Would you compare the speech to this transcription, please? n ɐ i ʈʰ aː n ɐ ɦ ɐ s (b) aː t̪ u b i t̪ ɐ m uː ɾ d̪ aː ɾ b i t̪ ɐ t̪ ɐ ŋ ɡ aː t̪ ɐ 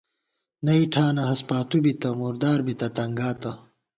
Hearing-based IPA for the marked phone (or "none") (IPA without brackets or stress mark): p